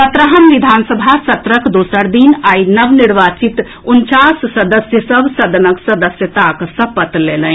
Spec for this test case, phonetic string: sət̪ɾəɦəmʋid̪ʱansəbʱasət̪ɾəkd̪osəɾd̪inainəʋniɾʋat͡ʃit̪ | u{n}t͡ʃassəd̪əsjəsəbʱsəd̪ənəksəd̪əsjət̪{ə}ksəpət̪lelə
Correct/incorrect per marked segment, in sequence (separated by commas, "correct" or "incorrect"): correct, incorrect